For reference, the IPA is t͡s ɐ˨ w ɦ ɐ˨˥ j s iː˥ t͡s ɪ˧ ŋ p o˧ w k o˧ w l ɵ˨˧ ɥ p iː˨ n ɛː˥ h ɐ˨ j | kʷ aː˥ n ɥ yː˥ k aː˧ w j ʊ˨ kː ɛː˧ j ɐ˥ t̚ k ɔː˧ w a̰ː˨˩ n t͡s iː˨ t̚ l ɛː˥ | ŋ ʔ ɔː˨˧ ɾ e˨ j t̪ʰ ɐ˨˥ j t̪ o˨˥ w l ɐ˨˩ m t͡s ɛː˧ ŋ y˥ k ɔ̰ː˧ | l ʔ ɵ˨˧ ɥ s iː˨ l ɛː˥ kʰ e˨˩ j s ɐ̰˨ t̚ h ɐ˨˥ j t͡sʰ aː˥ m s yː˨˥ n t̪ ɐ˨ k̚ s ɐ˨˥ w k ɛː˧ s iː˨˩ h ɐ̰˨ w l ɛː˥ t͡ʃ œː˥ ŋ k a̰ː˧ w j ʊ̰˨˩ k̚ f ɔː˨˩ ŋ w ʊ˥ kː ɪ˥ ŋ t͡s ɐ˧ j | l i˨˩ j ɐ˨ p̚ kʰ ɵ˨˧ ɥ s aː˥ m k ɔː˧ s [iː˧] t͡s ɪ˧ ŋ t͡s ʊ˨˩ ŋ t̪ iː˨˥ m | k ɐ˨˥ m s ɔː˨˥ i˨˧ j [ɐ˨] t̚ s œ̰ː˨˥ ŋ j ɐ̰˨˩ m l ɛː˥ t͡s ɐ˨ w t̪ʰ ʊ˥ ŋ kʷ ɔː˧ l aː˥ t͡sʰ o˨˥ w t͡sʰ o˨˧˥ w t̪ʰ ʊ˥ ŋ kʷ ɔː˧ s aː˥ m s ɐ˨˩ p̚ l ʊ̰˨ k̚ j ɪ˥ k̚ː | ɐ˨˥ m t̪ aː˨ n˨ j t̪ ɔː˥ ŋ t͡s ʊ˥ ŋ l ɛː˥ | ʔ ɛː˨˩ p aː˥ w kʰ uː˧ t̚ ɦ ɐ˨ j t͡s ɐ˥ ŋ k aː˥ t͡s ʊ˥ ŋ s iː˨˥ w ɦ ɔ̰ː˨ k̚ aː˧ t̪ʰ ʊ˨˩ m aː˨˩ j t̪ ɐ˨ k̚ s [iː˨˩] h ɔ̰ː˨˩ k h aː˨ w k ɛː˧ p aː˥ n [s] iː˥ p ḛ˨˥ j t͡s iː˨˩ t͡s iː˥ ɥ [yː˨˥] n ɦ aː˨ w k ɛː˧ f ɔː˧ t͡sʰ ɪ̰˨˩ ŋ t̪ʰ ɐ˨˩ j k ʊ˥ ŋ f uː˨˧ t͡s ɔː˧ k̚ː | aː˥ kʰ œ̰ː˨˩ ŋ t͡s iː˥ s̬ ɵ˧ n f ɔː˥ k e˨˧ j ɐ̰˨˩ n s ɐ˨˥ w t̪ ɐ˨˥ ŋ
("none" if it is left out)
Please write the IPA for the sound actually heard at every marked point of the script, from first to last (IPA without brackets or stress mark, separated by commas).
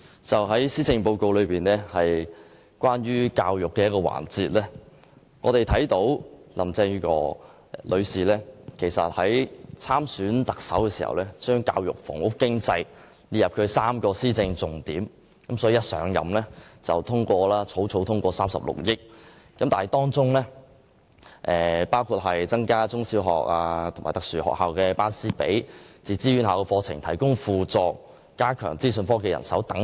iː˥, ɐ˥, yː˨˩, s, y˨˥